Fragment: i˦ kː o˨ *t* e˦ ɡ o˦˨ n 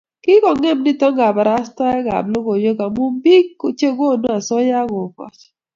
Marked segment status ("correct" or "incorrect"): incorrect